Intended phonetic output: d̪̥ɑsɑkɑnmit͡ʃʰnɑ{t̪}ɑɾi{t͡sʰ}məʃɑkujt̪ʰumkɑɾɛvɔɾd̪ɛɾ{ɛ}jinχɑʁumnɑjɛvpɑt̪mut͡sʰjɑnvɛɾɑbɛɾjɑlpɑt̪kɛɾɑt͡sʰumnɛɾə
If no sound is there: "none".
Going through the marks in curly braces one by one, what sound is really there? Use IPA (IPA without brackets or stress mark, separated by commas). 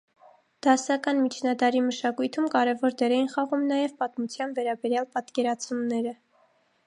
d̪, none, ɛ